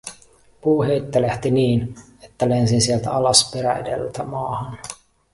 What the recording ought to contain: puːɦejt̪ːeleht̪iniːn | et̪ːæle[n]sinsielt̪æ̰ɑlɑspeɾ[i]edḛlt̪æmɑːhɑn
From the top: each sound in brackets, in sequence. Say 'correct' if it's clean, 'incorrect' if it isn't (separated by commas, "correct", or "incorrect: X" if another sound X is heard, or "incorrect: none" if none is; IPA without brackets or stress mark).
correct, incorrect: æ